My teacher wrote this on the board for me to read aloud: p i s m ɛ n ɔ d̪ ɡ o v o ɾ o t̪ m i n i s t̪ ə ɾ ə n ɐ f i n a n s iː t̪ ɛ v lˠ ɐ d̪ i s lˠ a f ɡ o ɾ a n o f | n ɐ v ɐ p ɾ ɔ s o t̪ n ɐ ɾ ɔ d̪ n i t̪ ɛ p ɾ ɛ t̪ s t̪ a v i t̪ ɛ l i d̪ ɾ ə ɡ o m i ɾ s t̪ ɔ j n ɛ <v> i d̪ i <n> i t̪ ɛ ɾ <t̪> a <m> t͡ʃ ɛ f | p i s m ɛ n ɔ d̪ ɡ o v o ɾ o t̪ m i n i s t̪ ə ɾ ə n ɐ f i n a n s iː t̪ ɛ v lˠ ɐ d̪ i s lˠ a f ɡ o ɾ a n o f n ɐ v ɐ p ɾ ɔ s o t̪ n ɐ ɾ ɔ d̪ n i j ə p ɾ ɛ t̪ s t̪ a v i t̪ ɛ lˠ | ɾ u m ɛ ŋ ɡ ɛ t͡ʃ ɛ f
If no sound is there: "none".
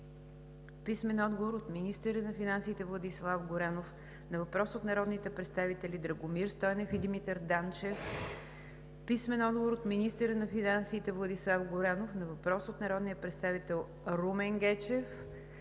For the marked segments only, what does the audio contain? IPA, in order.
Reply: f, m, d̪, n

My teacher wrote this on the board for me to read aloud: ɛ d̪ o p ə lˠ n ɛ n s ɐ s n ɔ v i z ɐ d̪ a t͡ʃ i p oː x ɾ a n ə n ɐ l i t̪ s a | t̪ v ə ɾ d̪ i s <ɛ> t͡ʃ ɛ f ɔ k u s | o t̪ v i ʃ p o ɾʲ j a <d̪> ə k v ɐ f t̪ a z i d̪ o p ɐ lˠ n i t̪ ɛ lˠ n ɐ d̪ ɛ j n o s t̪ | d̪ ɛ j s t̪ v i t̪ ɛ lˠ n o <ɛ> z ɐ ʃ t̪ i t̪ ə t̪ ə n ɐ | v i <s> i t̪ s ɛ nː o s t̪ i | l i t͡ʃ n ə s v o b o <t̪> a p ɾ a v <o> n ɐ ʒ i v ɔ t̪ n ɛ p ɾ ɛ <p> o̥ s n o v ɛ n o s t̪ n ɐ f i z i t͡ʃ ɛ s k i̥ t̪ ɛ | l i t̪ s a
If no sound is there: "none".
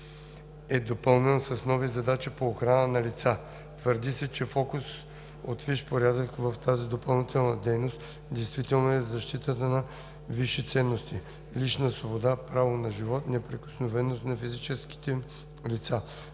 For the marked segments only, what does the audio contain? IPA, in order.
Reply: ɛ, d̪, ɛ, ʃ, d̪, o, k

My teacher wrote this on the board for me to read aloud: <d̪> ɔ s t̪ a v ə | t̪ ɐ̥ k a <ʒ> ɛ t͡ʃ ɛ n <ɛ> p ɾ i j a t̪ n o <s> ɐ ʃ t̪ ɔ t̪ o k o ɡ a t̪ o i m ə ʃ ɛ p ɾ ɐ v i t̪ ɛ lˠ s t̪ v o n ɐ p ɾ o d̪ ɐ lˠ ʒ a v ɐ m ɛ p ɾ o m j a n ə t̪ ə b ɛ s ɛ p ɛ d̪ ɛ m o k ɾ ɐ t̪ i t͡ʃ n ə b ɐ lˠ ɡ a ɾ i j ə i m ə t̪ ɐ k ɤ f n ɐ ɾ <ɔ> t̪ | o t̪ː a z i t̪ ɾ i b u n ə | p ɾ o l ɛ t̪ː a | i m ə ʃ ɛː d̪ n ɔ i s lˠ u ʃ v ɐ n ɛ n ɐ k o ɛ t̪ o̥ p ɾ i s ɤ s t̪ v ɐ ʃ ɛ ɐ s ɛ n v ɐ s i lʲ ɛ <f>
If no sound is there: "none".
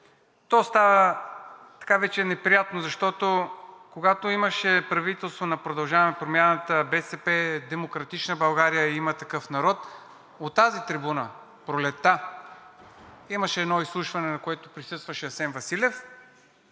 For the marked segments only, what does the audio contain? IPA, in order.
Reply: t̪, v, ɛ, z, ɔ, f

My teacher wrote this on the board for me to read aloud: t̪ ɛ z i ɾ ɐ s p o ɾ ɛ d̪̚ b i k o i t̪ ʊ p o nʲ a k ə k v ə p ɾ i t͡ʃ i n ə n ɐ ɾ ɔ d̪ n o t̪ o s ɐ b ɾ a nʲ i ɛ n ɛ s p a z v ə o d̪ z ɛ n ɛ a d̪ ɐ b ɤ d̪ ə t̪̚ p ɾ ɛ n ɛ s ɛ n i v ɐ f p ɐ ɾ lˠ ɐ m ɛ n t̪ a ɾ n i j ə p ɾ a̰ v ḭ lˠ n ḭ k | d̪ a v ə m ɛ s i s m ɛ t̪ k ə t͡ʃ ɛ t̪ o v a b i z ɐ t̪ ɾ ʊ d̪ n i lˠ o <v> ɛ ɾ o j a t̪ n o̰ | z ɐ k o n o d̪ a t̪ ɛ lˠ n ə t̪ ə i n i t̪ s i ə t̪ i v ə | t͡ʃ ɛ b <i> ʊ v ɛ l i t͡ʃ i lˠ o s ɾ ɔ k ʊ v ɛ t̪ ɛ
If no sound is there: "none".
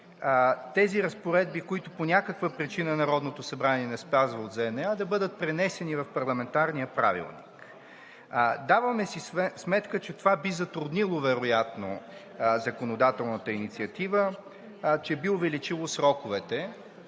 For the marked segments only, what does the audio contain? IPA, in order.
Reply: v, i

